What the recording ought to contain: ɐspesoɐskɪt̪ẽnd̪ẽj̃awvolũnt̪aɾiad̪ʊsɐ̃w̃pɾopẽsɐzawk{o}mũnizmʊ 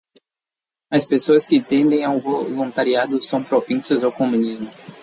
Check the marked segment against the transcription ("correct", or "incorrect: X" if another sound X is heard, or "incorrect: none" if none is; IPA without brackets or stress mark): correct